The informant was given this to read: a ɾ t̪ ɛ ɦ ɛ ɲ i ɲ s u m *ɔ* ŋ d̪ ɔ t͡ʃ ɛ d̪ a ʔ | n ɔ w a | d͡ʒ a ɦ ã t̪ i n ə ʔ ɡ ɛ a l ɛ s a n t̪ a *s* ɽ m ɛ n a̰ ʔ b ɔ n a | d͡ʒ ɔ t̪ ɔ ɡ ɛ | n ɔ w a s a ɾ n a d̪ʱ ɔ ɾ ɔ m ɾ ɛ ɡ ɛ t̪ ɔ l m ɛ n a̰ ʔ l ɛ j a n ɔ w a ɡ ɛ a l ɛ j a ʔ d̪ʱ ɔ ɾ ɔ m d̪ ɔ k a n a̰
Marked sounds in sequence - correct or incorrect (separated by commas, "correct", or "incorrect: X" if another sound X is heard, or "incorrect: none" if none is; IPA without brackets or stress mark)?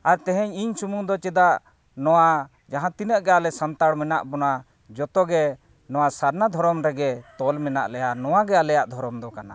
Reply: incorrect: u, incorrect: none